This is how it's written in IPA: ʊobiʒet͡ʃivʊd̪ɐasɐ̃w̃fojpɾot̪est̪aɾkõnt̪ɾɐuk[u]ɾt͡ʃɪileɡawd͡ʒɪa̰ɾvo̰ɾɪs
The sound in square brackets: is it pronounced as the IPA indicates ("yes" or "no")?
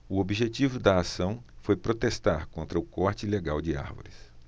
no